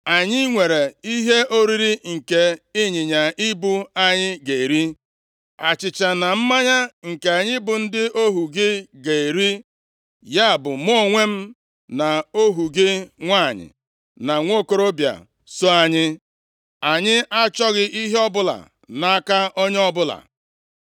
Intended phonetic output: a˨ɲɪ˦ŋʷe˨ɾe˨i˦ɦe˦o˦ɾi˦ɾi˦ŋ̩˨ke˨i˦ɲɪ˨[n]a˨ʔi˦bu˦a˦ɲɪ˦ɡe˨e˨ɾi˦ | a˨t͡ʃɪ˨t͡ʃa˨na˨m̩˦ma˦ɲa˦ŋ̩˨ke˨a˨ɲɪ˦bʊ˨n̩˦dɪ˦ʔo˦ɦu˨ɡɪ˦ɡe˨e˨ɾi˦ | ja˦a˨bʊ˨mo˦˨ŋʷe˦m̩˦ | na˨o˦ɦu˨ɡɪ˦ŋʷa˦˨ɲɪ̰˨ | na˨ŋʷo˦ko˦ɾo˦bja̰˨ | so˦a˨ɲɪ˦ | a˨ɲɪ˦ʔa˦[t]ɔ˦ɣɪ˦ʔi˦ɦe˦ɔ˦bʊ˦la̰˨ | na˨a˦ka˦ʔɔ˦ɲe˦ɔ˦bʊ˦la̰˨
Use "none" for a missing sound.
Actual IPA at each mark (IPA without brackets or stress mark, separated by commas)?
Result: ɲ, t͡ʃ